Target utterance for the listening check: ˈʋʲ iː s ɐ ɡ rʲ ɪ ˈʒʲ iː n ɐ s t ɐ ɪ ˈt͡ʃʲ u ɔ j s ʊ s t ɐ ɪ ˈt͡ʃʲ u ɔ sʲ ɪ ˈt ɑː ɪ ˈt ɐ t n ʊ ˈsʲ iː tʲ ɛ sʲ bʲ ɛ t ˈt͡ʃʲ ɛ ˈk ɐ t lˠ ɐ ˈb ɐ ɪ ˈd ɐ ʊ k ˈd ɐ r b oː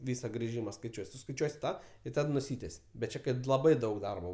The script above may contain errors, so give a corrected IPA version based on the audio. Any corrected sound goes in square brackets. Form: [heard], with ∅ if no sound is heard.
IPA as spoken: ˈʋʲ iː s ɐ ɡ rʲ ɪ ˈʒʲ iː [m] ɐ s [k] ɐ ɪ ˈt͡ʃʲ u ɔ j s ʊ s [k] ɐ ɪ ˈt͡ʃʲ u ɔ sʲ ɪ ˈt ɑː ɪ ˈt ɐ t n ʊ ˈsʲ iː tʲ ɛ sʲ bʲ ɛ t ˈt͡ʃʲ ɛ ˈk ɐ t lˠ ɐ ˈb ɐ ɪ ˈd ɐ ʊ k ˈd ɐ r b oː